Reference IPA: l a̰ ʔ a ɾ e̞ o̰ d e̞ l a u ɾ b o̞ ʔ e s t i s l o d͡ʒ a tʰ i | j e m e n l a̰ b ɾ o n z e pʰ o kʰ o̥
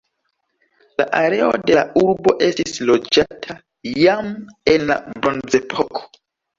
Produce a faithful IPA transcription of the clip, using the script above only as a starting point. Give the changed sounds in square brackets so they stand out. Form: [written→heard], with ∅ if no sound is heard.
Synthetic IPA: l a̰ ʔ a ɾ e̞ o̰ d e̞ l a u ɾ b o̞ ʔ e s t i s l o d͡ʒ a tʰ [i→a] | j [e→a] m e n l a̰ b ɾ o n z e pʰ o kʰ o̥